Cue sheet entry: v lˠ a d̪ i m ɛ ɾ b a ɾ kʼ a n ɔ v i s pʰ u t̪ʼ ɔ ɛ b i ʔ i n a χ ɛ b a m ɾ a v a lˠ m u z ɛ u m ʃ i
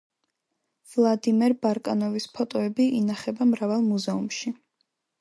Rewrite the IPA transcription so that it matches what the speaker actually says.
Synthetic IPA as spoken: v lˠ a d̪ i m ɛ ɾ b a ɾ kʼ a n ɔ v i s pʰ ɔ t̪ʼ ɔ ɛ b i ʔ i n a χ ɛ b a m ɾ a v a lˠ m u z ɛ u m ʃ i